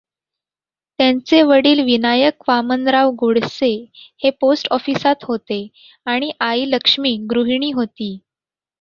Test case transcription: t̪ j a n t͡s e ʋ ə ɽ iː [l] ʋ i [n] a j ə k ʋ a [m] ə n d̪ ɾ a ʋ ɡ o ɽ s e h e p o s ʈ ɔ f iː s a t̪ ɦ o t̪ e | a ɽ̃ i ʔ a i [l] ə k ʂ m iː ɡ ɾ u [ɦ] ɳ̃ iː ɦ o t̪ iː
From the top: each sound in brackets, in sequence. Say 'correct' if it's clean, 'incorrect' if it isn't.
correct, correct, correct, correct, correct

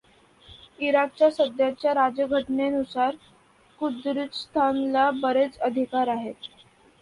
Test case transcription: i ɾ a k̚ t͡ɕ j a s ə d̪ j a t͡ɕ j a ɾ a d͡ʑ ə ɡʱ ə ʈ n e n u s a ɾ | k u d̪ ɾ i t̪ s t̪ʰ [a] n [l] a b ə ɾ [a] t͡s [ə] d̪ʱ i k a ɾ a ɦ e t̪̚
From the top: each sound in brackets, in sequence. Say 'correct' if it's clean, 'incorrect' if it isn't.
correct, correct, incorrect: e, correct

